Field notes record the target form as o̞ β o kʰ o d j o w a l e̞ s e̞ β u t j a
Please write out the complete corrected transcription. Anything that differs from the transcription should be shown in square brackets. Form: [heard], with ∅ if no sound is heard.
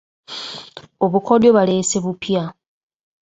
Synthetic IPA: o̞ β [u] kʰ o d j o [β] a l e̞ s e̞ β u [p] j a